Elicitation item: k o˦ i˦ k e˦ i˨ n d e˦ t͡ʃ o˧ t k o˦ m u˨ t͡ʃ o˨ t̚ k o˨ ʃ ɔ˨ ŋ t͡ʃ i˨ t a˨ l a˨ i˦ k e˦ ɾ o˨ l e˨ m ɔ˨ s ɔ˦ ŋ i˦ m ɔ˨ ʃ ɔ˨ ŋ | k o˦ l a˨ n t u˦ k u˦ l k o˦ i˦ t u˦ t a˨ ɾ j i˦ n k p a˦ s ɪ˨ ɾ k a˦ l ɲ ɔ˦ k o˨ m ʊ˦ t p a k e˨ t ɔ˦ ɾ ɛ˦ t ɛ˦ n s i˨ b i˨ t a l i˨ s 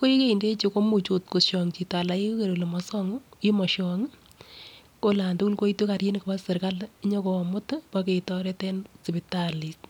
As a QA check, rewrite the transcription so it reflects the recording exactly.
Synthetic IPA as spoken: k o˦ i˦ k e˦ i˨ n d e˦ t͡ʃ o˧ k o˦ m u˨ t͡ʃ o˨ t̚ k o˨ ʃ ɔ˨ ŋ t͡ʃ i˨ t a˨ l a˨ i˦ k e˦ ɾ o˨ l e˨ m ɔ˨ s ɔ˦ ŋ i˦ m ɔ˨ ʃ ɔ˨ ŋ | k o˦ l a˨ n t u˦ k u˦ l k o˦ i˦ t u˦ k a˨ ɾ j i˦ n k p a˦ s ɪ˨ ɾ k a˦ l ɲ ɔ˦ k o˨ m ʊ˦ t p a k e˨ t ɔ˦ ɾ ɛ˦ t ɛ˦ n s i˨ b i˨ t a l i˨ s